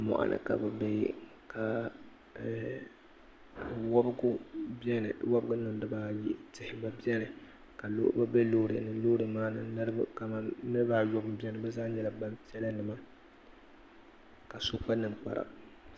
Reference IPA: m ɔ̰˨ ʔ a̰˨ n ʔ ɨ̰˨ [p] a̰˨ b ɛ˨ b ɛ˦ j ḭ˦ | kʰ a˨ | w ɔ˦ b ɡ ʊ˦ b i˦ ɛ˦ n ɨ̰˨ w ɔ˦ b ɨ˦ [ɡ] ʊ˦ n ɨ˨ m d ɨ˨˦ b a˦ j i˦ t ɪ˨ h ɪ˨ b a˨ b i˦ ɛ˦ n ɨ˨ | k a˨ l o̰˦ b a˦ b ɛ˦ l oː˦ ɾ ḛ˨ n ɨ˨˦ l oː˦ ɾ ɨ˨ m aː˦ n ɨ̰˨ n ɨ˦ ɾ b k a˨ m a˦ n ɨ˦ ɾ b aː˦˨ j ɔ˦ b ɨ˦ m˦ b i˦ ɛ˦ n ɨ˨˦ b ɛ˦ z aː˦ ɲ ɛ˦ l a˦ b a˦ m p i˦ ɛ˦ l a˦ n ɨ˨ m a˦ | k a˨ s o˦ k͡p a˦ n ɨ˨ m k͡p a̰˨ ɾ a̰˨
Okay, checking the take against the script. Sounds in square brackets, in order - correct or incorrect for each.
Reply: incorrect: k, correct

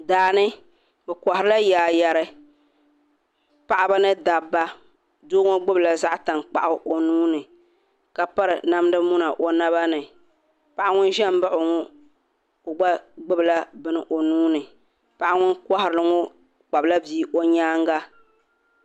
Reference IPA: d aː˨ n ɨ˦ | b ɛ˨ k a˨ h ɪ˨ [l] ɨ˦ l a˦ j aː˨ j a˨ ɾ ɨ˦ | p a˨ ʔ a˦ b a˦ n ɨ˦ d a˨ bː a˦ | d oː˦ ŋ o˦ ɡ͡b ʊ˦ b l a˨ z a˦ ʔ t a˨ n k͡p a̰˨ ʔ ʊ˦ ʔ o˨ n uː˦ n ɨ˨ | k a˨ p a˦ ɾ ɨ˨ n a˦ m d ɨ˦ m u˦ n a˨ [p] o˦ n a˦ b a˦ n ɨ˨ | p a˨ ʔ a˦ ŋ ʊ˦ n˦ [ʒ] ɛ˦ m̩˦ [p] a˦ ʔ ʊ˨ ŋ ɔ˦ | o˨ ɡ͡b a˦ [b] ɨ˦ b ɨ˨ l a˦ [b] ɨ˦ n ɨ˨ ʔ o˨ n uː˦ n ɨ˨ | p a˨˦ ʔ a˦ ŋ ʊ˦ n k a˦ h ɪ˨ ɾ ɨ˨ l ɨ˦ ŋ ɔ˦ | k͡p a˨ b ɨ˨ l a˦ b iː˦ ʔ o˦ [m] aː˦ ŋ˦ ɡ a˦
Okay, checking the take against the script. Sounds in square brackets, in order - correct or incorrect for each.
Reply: incorrect: ɾ, incorrect: ʔ, correct, incorrect: b, incorrect: ɡ͡b, correct, incorrect: ɲ

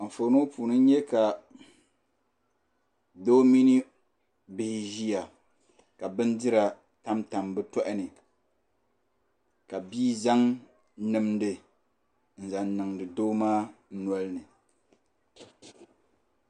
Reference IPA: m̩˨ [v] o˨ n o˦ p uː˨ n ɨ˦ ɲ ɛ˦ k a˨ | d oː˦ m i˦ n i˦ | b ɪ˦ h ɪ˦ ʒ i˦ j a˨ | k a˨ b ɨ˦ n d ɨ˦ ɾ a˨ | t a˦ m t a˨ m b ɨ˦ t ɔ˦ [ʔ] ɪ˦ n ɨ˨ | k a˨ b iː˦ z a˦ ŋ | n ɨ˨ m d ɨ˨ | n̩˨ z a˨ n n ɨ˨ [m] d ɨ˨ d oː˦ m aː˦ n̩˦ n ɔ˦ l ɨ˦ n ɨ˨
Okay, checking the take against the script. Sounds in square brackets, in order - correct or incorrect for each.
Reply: incorrect: f, correct, incorrect: ŋ

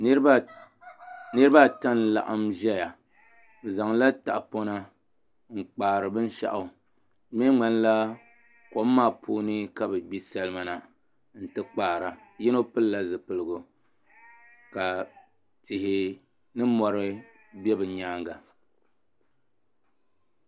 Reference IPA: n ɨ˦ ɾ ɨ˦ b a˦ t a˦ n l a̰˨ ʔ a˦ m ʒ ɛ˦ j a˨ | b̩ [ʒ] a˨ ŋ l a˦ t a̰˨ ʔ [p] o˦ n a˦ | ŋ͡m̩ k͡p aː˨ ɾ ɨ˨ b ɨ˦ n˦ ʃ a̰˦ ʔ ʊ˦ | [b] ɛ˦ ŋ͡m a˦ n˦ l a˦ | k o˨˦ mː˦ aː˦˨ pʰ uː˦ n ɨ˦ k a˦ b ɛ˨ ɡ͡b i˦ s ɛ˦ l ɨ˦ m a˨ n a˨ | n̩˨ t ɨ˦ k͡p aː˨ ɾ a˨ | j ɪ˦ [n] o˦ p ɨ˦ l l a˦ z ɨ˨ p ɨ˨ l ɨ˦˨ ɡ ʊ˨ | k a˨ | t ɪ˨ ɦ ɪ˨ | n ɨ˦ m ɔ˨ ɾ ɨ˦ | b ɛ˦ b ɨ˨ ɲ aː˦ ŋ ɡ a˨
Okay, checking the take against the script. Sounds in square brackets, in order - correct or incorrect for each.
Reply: incorrect: z, correct, incorrect: m, correct

